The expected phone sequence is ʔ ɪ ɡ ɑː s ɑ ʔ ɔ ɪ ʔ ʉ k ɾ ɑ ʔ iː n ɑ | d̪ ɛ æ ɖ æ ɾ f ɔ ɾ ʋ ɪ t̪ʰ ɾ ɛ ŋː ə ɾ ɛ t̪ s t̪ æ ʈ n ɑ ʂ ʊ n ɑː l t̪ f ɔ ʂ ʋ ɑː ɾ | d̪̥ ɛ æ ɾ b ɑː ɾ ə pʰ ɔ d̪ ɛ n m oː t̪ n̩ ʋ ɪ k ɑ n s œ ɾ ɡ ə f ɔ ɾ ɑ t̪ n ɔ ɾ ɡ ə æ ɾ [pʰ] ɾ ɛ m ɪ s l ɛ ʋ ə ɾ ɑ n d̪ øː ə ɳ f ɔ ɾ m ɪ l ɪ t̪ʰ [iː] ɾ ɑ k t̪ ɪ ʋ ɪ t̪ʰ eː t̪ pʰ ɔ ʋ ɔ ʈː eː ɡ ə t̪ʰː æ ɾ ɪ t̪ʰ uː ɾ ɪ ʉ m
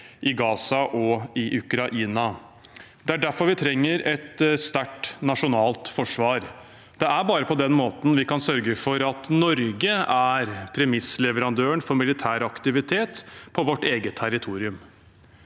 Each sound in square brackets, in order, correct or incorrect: correct, incorrect

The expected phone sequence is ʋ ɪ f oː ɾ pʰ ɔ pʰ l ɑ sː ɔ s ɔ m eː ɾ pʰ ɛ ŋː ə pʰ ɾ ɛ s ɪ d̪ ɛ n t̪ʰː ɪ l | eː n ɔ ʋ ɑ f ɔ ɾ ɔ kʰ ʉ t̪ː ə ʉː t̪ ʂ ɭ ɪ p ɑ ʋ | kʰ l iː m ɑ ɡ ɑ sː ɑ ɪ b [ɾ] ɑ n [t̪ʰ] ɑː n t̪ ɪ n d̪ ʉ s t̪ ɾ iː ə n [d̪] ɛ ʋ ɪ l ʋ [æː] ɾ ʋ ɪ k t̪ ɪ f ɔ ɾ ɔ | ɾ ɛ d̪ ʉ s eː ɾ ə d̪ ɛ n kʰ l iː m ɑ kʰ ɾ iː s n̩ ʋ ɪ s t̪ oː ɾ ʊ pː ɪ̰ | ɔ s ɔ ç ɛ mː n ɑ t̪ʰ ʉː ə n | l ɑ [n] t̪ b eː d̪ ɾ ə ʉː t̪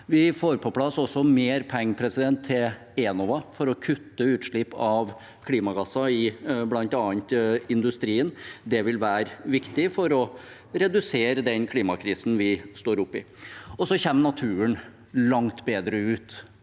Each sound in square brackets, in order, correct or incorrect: incorrect, incorrect, correct, correct, incorrect

